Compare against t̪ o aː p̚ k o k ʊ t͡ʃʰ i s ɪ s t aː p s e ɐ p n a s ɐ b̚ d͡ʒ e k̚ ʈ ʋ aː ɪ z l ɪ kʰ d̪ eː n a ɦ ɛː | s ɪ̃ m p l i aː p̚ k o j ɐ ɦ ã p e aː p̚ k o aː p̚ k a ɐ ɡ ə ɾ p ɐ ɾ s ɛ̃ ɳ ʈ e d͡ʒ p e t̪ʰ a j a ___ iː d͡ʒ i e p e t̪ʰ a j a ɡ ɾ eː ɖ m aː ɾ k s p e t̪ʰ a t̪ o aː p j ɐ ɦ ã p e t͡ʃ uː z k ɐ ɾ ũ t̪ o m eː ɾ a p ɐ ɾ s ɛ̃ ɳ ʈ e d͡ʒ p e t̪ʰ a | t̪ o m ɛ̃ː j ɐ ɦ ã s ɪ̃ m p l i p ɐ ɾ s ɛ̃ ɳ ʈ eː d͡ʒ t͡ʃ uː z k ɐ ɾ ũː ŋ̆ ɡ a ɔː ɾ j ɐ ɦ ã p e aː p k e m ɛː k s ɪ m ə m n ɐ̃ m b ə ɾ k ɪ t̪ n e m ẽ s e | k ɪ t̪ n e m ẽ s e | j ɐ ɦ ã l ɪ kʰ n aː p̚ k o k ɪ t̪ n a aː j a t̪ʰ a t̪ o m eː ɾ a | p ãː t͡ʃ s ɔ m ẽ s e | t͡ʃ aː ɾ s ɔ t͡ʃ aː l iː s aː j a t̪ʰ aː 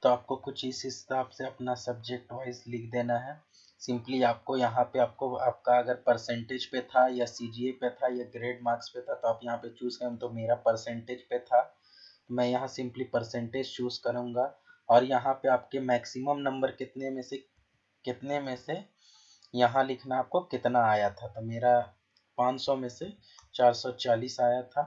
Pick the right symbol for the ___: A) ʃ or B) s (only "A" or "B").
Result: B